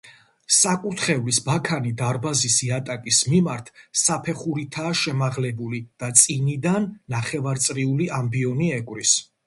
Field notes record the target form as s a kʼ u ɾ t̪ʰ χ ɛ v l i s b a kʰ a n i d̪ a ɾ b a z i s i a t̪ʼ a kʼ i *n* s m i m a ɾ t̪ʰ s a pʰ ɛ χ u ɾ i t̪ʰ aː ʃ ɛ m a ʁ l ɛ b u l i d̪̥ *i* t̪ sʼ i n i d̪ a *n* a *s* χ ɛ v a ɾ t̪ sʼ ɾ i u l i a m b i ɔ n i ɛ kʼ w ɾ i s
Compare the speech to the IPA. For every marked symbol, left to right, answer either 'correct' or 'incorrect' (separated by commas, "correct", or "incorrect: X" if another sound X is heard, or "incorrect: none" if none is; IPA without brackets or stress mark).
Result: incorrect: none, incorrect: a, incorrect: nː, incorrect: none